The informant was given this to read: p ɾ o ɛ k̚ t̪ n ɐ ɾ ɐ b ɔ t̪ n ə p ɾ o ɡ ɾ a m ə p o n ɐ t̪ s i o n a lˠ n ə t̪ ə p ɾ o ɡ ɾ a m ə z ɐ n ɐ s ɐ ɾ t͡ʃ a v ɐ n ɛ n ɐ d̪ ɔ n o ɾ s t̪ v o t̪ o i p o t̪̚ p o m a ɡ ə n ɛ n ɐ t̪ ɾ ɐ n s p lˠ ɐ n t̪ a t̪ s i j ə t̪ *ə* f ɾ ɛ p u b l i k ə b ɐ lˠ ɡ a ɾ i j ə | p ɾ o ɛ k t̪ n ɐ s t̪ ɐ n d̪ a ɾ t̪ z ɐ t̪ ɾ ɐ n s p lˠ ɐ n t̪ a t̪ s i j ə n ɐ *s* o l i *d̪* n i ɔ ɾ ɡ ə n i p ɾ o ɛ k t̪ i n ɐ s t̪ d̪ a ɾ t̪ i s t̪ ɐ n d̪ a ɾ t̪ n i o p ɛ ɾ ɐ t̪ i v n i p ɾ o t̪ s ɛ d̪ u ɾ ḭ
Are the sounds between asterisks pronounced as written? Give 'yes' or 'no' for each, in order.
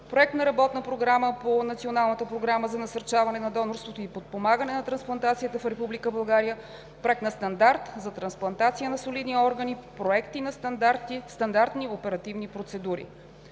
yes, yes, yes

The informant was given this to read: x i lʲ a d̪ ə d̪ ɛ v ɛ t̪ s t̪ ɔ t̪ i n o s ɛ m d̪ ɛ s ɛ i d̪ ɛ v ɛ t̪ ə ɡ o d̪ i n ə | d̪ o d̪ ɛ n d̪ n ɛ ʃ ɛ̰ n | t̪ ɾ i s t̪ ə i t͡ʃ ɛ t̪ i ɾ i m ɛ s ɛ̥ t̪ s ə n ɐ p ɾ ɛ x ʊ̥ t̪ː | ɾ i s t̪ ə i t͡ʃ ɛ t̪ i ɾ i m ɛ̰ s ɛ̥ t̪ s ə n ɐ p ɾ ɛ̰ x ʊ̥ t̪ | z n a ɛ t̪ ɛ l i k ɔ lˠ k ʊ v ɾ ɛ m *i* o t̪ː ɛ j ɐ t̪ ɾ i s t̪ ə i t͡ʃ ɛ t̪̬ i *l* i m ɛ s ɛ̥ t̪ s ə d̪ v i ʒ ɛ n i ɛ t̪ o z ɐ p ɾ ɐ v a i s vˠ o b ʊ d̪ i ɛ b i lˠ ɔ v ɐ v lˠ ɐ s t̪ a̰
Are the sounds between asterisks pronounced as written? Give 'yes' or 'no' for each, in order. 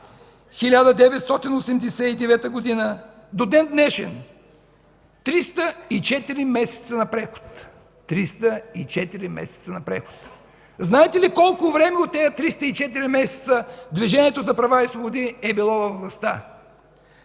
no, no

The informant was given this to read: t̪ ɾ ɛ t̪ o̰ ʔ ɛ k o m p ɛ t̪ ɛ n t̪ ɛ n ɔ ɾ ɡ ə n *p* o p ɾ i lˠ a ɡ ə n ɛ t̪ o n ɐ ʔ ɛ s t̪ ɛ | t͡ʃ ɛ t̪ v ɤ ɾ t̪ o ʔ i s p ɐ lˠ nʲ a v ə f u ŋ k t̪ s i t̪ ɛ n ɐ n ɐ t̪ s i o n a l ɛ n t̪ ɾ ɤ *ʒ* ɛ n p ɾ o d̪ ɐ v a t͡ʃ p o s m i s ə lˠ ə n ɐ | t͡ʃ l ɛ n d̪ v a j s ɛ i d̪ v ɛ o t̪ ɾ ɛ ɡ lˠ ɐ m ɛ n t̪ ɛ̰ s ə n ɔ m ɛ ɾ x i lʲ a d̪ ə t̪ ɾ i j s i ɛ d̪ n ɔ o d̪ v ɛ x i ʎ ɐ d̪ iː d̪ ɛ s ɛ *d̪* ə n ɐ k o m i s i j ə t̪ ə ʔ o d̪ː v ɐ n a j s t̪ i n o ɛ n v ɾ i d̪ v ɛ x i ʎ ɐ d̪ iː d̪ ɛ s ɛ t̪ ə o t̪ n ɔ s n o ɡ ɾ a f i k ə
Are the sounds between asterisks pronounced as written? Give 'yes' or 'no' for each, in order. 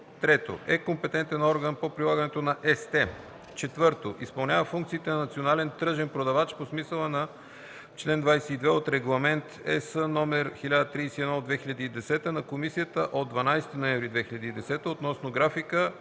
yes, yes, no

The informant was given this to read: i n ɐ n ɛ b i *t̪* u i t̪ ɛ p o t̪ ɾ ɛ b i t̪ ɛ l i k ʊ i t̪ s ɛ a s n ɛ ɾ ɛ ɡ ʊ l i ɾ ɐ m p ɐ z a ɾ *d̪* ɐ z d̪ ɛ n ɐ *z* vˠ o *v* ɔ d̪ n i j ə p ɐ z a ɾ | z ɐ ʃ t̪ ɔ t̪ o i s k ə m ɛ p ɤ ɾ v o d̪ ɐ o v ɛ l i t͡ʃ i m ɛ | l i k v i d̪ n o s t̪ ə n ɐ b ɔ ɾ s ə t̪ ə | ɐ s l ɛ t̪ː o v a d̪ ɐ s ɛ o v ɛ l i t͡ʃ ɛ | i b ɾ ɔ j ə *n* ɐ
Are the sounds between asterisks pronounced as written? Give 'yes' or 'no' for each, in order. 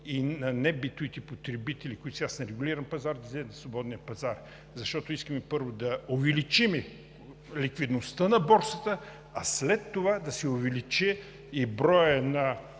yes, yes, no, no, yes

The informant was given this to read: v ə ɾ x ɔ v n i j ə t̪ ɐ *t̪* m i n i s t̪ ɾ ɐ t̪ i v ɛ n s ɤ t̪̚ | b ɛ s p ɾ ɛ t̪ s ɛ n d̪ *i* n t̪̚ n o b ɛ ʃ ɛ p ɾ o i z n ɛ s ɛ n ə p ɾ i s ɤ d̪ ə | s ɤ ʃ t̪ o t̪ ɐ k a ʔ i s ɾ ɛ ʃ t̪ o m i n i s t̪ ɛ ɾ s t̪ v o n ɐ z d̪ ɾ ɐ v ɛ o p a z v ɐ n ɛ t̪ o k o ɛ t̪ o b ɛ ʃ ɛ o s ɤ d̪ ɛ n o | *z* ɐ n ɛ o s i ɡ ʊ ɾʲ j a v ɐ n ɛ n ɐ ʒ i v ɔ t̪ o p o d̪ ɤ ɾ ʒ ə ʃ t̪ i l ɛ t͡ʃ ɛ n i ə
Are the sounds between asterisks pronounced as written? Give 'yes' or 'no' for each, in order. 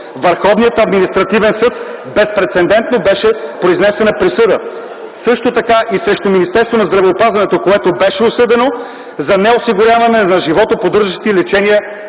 no, no, yes

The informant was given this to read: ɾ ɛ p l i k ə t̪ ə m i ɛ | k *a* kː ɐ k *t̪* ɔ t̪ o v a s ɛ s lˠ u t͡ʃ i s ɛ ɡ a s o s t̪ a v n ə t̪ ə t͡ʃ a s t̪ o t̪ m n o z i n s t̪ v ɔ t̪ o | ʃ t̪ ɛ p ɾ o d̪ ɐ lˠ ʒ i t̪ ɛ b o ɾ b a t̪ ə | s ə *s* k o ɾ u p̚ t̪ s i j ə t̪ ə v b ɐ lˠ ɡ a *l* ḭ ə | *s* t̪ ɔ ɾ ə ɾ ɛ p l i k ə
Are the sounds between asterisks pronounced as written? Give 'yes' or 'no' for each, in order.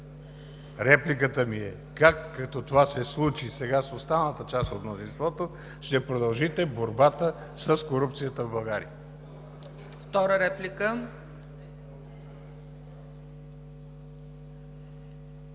yes, yes, yes, no, no

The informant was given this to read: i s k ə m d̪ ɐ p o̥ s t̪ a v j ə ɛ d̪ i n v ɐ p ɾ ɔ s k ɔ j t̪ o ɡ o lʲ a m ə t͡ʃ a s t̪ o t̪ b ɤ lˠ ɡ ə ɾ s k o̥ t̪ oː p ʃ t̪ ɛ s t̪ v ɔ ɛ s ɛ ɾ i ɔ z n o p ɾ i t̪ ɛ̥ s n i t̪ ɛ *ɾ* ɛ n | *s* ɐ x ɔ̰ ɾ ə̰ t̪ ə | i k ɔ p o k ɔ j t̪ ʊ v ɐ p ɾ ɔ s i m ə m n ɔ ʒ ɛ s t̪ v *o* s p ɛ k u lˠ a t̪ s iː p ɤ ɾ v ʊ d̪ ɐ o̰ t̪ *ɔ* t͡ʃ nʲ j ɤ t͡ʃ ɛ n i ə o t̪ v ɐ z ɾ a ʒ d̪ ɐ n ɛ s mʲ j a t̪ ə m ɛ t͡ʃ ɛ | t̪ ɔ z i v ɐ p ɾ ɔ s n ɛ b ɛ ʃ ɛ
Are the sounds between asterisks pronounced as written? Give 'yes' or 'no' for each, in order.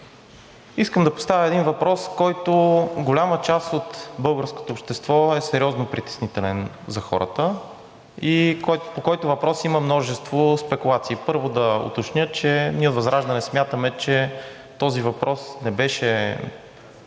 no, no, yes, no

